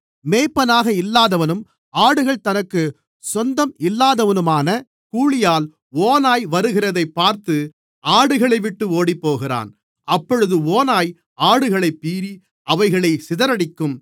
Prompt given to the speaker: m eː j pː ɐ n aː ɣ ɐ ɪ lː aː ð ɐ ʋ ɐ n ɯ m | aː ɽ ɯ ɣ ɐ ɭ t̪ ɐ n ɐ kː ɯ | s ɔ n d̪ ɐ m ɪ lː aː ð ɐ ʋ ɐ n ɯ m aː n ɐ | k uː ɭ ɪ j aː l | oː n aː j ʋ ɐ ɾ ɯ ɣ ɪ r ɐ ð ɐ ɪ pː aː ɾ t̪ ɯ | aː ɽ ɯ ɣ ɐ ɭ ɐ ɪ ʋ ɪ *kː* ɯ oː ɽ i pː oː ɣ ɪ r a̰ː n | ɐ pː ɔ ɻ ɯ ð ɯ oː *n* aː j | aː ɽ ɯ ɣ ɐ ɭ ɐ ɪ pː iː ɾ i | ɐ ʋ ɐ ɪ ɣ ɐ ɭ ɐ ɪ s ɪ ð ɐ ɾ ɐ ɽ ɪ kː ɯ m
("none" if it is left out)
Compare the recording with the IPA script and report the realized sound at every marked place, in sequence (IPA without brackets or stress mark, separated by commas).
ʈː, n